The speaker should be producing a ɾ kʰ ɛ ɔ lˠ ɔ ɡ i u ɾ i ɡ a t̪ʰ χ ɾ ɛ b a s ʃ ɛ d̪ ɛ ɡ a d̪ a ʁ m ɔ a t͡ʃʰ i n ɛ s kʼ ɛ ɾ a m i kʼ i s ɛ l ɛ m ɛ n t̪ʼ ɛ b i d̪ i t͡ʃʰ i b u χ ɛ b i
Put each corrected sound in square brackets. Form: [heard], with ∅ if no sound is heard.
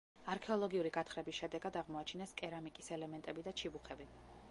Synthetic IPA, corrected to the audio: a ɾ kʰ ɛ ɔ lˠ ɔ ɡ i u ɾ i ɡ a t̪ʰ χ ɾ ɛ b [i] s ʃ ɛ d̪ ɛ ɡ a d̪ a ʁ m ɔ a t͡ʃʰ i n ɛ s kʼ ɛ ɾ a m i kʼ i s ɛ l ɛ m ɛ n t̪ʼ ɛ b i d̪ [a] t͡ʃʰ i b u χ ɛ b i